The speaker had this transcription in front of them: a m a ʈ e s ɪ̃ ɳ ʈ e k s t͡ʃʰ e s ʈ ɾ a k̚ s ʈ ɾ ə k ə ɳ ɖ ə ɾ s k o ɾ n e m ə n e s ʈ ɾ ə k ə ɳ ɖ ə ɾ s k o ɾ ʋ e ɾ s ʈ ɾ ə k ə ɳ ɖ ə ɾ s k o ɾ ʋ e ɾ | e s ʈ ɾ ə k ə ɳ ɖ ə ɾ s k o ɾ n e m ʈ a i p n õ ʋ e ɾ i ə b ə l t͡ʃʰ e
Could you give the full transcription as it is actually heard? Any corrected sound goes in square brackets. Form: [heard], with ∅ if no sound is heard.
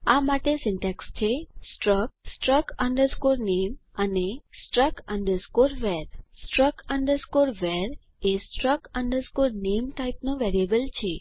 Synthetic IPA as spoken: a m a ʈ e s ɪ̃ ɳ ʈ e k s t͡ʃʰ e s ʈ ɾ [ə] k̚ s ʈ ɾ ə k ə ɳ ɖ ə ɾ s k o ɾ n e m ə n e s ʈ ɾ ə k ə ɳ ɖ ə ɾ s k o ɾ ʋ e ɾ s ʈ ɾ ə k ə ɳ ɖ ə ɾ s k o ɾ ʋ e ɾ | e s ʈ ɾ ə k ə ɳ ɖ ə ɾ s k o ɾ n e m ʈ a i p n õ ʋ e ɾ i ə b ə l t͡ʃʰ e